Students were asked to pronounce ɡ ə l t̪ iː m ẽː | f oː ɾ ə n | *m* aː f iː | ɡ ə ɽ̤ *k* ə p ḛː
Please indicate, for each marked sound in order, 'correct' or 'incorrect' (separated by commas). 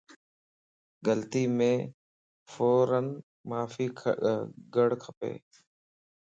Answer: correct, incorrect